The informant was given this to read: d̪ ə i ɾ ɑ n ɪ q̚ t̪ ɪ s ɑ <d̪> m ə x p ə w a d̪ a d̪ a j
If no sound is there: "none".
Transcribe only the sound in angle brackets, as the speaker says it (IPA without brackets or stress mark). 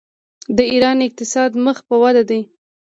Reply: d̪